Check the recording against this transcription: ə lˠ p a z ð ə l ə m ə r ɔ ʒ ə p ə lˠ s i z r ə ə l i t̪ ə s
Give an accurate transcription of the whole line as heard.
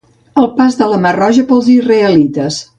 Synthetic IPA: ə lˠ p a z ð ə l ə m ə r ɔ ʒ ə p ə lˠ z i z r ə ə l i t̪ ə s